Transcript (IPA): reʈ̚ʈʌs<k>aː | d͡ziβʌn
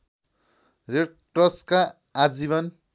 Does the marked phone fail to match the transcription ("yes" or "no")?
no